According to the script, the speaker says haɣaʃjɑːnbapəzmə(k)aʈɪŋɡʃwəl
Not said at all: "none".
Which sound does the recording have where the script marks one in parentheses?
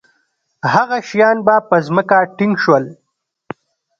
k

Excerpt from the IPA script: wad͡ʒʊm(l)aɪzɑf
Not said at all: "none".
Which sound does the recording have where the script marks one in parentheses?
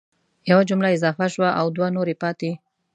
l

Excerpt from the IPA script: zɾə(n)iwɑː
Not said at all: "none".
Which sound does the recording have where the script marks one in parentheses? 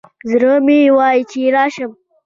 m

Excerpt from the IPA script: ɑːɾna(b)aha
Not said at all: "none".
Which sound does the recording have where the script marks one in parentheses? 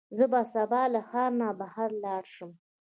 b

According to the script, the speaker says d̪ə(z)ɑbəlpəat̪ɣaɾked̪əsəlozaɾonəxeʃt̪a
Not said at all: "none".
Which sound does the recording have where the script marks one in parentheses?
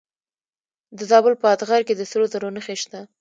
z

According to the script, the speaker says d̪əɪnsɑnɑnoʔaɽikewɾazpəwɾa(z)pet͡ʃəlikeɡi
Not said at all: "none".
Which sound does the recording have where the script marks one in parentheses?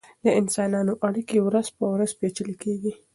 z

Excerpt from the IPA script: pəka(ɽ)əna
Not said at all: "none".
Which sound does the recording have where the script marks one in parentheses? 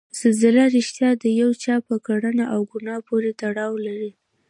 ɽ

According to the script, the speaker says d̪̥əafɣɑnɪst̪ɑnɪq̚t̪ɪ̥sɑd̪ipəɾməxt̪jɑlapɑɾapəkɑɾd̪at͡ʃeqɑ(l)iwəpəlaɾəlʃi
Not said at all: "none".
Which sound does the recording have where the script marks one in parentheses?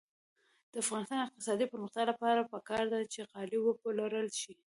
l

